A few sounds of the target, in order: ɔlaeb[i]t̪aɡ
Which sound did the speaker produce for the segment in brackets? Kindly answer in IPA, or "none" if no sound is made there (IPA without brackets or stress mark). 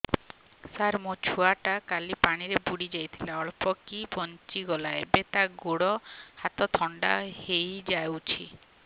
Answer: e